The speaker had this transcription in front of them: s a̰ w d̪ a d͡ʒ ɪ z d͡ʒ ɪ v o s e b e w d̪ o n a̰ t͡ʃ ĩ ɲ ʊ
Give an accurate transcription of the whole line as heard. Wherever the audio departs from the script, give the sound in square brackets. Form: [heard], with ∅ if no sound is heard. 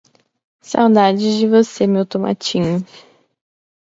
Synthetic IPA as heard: s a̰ w d̪ a d͡ʒ ɪ z d͡ʒ ɪ v o s e [m] e w [t̪] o [m] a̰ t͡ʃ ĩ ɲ ʊ